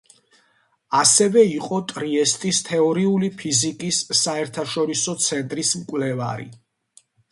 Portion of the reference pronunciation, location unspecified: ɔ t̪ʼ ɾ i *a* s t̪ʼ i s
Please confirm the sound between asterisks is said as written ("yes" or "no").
no